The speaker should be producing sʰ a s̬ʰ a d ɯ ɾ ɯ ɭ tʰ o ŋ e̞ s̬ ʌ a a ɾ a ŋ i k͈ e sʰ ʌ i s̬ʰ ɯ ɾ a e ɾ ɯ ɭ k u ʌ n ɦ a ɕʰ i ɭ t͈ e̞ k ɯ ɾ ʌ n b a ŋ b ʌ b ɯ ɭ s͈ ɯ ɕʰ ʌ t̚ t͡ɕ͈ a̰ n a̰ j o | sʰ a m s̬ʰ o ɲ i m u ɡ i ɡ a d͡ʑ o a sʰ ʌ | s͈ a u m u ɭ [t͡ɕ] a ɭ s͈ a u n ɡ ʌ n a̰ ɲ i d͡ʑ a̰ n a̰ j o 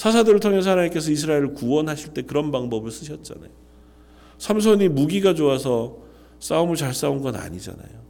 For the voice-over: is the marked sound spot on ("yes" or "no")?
yes